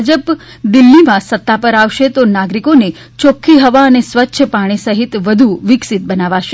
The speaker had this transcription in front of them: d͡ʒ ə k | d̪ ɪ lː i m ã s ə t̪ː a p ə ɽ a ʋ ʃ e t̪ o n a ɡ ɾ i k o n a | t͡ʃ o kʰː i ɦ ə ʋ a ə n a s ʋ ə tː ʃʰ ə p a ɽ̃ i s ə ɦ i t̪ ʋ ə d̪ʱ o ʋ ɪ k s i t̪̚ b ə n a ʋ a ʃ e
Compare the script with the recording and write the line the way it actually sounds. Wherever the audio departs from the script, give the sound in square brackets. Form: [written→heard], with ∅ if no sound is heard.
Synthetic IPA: d͡ʒ ə [k→p] | d̪ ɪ lː i m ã s ə t̪ː a p ə [ɽ→ɾ] a ʋ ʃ e t̪ o n a ɡ ɾ i k o n [a→e] | t͡ʃ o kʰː i ɦ ə ʋ a ə n [a→e] s ʋ ə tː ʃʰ ə p a ɽ̃ i s ə ɦ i t̪ ʋ ə d̪ʱ [o→u] ʋ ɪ k s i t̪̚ b ə n a ʋ a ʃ e